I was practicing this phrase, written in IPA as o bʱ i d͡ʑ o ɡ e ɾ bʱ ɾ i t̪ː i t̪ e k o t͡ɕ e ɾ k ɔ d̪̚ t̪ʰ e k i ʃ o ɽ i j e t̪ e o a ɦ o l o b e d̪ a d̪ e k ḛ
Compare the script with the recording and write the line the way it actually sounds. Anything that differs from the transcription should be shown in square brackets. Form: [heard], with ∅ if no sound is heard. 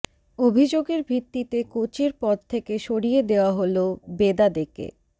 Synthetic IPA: o bʱ i d͡ʑ o ɡ e ɾ bʱ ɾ i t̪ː i t̪ e k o t͡ɕ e ɾ [p] ɔ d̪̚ t̪ʰ e k [e] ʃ o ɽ i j e [d̪] e o a ɦ o l o b e d̪ a d̪ e k ḛ